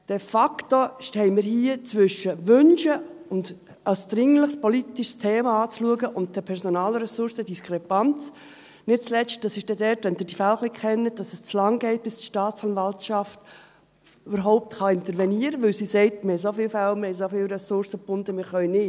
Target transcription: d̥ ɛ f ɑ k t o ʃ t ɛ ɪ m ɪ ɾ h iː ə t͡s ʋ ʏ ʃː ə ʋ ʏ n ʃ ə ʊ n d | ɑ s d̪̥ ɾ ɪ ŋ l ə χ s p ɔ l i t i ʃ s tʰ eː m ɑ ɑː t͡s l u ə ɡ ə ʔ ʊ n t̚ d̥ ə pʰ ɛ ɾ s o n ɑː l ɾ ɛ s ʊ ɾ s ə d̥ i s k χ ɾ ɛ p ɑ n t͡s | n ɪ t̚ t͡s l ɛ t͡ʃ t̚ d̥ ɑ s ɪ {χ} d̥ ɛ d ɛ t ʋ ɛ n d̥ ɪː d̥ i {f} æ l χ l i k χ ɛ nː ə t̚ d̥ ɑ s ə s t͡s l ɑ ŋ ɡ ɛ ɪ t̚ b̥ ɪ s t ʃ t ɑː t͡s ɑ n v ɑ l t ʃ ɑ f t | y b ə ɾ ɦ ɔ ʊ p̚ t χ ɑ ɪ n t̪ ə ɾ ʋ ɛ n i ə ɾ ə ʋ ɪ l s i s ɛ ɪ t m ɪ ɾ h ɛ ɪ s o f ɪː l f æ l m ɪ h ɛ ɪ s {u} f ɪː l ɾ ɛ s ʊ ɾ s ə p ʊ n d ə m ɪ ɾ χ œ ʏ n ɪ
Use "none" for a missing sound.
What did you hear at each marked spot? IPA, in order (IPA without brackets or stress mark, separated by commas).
ʃ, f, o